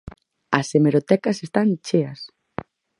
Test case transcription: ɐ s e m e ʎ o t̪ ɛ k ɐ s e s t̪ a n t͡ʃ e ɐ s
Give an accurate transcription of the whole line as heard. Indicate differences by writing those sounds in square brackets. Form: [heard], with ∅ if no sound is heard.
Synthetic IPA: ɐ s e m e [ɾ] o t̪ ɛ k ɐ s e s t̪ a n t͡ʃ e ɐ s